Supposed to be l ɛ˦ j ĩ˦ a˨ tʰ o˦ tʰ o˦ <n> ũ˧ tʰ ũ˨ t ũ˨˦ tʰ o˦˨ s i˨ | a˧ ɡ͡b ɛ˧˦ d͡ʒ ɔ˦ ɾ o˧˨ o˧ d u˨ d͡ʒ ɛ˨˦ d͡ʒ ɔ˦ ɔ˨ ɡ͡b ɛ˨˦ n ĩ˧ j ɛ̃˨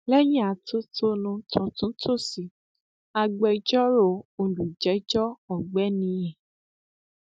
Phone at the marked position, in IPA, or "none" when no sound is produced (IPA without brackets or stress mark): n